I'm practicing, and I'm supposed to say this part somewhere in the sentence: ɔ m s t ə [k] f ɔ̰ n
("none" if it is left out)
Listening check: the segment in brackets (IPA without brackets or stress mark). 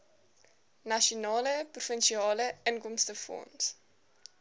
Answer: none